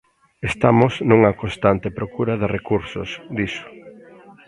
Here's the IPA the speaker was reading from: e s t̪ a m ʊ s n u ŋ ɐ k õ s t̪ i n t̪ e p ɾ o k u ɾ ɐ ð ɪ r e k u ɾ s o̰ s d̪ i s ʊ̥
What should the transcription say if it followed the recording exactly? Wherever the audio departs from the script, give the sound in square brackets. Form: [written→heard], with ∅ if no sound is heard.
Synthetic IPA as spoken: e s t̪ a m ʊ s n u ŋ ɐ k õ s t̪ [i→a] n t̪ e p ɾ o k u ɾ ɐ ð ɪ r e k u ɾ s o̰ s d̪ i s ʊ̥